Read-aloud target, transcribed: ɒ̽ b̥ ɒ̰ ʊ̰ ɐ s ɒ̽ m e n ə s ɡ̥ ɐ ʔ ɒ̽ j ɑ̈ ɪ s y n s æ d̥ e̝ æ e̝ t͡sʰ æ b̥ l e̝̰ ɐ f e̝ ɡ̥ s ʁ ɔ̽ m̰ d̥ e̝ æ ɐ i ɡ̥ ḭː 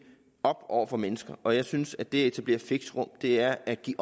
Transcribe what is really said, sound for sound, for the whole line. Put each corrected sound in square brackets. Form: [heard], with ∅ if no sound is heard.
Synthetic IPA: ɒ̽ b̥ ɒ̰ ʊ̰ ɐ [f] ɒ̽ m e n ə s ɡ̥ ɐ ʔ ɒ̽ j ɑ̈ ɪ s y n s æ d̥ e̝ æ e̝ t͡sʰ æ b̥ l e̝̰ ɐ f e̝ ɡ̥ s ʁ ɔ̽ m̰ d̥ e̝ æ ɐ [æ] ɡ̥ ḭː